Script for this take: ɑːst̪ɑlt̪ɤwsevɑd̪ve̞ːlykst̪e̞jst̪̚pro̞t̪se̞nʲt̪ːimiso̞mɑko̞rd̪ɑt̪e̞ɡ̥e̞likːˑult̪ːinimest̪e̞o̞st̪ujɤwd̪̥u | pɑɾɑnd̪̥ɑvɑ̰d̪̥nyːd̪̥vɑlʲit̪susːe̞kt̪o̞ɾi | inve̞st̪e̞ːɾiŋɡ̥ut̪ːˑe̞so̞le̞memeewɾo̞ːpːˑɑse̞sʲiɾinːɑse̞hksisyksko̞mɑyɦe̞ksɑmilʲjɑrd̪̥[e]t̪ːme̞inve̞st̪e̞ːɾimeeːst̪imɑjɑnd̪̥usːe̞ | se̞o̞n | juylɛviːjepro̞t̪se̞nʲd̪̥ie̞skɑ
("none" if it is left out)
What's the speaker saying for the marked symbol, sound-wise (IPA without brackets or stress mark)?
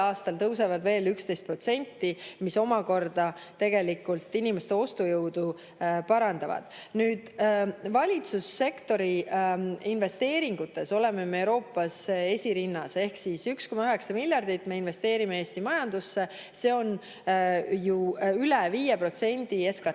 i